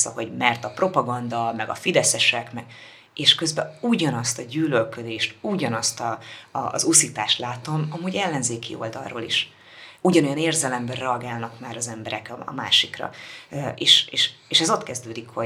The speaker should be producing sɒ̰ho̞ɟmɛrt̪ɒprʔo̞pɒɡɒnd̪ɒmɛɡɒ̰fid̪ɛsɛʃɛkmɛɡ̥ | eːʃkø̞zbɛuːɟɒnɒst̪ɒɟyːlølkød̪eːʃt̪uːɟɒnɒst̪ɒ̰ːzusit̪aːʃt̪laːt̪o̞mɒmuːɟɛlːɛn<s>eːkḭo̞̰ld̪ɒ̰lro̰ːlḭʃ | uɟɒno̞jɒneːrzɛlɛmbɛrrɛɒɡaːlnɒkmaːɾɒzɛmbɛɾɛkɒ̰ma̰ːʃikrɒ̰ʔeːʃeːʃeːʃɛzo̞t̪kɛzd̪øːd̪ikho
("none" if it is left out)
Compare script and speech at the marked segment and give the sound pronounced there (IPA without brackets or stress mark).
z